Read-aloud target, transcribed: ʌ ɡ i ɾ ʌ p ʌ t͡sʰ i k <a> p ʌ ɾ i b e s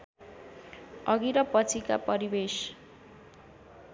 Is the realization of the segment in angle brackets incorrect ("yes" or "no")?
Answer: no